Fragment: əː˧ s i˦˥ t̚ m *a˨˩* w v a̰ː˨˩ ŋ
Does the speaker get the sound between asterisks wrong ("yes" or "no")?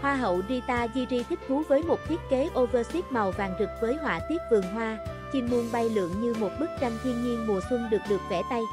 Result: no